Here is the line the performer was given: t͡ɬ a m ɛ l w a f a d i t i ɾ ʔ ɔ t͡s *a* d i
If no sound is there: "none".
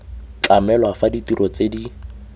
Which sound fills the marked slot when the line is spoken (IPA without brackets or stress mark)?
e